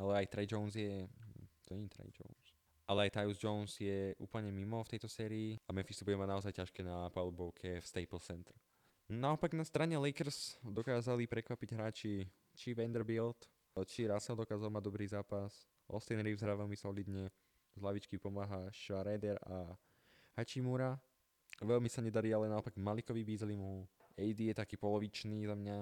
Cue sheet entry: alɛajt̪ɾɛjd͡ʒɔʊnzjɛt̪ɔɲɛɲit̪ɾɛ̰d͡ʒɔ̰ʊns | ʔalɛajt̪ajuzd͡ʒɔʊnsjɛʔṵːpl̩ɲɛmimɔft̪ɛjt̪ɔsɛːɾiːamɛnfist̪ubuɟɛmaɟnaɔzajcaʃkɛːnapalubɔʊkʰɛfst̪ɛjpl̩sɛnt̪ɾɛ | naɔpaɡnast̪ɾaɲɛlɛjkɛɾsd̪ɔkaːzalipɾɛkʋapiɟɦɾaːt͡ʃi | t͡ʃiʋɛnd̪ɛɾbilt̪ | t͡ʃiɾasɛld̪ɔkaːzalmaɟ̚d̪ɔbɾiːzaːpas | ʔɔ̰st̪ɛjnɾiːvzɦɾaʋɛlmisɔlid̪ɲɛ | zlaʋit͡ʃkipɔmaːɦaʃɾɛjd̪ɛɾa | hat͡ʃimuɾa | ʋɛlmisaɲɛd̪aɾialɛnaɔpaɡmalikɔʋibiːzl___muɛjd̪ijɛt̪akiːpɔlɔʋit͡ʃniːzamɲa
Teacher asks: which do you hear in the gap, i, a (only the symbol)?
i